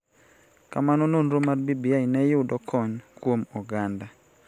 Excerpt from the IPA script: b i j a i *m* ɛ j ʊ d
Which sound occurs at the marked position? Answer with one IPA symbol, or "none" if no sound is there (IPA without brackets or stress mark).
n